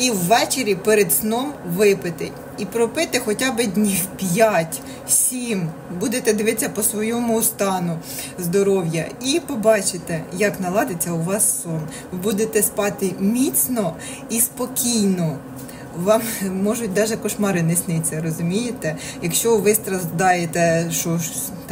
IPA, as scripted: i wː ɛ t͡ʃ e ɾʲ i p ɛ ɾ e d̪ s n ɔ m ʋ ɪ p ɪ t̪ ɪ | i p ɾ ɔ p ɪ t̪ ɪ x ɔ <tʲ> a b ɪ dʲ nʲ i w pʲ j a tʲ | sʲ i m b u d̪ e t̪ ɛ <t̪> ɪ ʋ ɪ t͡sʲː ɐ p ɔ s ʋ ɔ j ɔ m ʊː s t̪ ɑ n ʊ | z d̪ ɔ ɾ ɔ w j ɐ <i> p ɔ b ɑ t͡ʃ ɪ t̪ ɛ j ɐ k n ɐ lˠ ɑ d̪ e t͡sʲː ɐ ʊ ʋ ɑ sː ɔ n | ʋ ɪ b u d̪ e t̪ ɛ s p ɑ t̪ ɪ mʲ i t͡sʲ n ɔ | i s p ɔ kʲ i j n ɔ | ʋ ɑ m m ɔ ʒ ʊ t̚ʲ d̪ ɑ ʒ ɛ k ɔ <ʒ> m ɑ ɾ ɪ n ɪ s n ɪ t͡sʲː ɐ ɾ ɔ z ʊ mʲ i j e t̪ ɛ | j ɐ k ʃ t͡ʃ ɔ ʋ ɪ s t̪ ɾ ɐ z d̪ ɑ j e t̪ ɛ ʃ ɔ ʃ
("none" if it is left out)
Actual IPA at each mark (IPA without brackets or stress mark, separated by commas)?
tʲ, d̪, i, ʃ